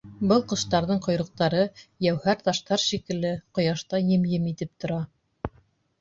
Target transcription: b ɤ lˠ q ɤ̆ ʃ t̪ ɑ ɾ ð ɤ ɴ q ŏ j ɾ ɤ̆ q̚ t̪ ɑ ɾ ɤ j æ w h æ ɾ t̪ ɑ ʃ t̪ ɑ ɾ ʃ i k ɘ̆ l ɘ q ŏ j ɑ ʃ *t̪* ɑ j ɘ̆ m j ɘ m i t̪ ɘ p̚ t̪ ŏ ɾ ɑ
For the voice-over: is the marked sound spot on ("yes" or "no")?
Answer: yes